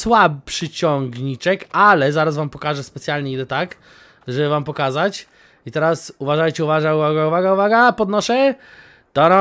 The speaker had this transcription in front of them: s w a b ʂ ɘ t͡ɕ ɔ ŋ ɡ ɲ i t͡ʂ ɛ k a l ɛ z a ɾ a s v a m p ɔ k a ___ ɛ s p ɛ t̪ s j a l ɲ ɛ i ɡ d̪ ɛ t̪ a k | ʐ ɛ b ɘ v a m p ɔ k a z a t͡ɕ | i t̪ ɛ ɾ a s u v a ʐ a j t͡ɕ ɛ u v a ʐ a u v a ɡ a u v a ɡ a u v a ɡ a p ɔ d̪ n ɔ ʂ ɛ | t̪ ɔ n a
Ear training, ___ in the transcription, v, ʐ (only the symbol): ʐ